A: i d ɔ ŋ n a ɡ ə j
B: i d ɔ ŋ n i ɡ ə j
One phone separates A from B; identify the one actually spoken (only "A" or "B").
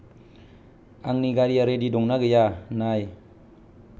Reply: A